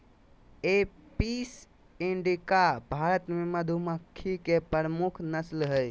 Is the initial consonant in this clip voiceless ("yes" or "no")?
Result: yes